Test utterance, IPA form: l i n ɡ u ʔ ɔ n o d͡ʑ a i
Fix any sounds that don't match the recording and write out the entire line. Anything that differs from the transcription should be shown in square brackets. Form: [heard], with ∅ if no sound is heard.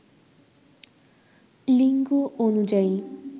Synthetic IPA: l i [ŋ] ɡ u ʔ [o] n [u] d͡ʑ a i